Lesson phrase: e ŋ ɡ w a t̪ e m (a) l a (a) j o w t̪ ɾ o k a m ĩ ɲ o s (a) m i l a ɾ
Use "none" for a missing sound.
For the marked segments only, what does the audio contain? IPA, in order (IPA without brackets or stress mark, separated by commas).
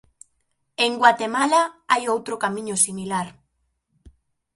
a, a, i